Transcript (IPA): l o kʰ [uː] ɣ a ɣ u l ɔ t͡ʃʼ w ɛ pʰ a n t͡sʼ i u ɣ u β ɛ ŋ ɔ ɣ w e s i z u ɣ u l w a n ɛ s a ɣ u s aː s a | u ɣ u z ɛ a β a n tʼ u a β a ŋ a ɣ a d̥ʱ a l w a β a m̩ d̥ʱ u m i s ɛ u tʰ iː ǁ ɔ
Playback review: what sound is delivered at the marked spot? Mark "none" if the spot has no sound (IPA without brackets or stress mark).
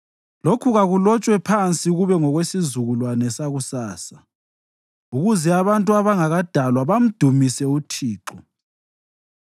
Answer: u